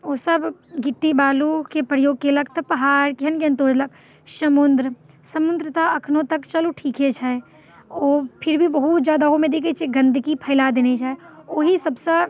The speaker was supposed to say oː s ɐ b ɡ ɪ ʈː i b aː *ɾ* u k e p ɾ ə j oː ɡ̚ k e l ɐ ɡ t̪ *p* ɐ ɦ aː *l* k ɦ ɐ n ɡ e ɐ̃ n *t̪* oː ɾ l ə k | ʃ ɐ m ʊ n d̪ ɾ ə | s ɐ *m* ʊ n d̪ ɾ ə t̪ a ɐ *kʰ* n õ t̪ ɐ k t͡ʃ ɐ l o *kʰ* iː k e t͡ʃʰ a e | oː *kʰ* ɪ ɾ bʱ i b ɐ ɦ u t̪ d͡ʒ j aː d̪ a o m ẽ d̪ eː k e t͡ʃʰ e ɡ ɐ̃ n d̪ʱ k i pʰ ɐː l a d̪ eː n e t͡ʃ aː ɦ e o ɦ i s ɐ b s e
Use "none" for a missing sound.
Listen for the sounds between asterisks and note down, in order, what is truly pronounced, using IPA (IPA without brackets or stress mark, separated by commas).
l, p, ɾ, t̪, m, kʰ, ʈʰ, pʰ